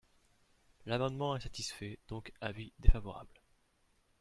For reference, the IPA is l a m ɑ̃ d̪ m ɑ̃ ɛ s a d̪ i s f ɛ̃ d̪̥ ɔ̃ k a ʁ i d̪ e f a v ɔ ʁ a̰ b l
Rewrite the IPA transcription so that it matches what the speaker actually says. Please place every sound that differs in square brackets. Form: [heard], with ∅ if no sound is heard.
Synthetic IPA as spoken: l a m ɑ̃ d̪ m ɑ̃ ɛ s a [t̪] i s f [ɛ] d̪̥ ɔ̃ k a [v] i d̪ e f a v ɔ ʁ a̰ b l